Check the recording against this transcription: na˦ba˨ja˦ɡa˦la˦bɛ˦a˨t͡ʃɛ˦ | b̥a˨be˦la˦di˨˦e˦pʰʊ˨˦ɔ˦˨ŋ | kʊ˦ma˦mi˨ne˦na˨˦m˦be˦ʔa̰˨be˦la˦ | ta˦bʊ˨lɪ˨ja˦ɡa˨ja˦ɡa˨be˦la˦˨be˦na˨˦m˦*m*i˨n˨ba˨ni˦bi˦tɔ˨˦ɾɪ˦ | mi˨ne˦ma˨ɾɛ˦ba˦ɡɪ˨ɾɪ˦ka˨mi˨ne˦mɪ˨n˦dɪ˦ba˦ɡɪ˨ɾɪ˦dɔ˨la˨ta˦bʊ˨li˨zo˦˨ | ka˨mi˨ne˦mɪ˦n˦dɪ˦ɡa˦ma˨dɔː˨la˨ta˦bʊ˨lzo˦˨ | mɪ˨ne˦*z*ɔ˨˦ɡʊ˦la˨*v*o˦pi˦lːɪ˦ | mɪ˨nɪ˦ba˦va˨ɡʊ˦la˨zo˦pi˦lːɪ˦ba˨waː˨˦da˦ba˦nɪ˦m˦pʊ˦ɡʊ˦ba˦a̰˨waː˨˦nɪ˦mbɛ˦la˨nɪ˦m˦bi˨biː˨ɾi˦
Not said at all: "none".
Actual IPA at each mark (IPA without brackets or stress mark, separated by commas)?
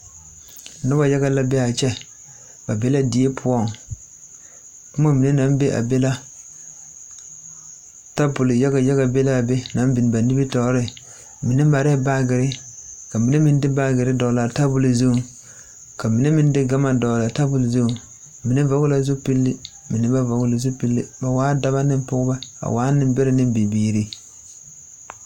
b, v, z